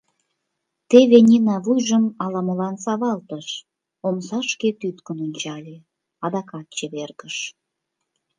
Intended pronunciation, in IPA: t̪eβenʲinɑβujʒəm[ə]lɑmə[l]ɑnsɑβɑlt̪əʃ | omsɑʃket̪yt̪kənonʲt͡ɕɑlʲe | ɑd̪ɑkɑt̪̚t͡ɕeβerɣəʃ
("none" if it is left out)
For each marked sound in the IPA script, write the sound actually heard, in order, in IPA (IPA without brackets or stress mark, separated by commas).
ɑ, l